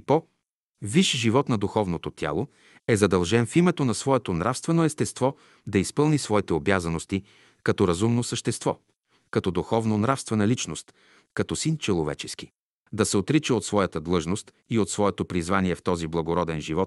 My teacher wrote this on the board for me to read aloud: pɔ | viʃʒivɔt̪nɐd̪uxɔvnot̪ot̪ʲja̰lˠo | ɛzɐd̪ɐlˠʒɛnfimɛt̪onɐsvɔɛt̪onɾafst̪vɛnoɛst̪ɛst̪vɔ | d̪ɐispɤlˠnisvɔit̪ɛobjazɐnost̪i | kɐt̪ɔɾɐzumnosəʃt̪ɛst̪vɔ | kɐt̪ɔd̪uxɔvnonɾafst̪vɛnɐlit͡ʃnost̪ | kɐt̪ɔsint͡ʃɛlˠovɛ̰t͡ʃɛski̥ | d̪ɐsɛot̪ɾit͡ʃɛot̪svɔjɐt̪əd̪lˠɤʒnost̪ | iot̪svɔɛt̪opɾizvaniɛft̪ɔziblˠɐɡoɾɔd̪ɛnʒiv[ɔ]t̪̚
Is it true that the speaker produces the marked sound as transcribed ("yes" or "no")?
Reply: yes